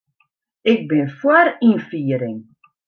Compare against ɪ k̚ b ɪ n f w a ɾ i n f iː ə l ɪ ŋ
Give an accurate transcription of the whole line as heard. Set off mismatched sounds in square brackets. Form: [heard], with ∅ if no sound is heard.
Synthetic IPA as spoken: ɪ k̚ b ɪ n f w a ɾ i n f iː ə [ɾ] ɪ ŋ